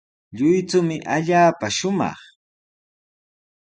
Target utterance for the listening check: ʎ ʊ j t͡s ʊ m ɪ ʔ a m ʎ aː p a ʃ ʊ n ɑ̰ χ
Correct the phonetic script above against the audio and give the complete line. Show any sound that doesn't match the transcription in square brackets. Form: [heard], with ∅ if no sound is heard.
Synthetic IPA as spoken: ʎ ʊ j t͡s ʊ m ɪ ʔ a [∅] ʎ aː p a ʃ ʊ [m] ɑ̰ χ